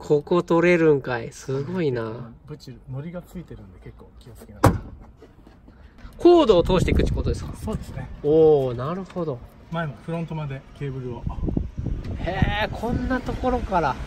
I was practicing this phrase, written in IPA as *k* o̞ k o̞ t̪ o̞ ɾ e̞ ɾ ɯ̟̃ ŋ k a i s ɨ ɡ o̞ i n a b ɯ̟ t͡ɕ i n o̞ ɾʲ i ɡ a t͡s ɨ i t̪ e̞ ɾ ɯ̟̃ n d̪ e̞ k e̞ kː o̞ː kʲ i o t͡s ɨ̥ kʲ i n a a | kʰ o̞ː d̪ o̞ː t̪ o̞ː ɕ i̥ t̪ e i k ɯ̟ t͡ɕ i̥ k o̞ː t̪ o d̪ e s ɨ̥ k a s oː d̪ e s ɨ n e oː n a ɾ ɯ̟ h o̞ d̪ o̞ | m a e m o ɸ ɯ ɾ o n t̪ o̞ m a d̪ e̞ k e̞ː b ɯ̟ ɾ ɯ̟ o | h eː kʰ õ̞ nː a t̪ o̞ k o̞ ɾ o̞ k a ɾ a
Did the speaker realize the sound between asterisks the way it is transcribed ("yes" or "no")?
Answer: no